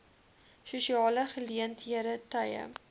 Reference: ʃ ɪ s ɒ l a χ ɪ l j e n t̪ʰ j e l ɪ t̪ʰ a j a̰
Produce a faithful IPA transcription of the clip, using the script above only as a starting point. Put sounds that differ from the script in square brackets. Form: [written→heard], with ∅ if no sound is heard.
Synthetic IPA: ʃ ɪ [s→ʃ] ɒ l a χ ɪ l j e n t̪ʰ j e [l→ɾ] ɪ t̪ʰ a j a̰